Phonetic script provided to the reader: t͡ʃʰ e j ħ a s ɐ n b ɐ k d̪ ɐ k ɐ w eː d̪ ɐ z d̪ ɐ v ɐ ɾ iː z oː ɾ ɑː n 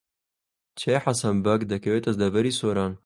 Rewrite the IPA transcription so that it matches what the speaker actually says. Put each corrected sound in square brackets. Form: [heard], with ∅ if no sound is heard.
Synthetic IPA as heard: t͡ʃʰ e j ħ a s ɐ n b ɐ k d̪ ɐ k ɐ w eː [t̪] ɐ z d̪ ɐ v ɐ ɾ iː [s] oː ɾ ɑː n